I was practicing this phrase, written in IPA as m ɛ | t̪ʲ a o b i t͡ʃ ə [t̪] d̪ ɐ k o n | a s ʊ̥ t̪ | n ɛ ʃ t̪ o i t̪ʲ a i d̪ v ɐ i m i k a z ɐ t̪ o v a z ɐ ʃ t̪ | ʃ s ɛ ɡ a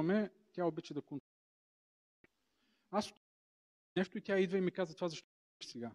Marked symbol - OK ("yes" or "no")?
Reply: no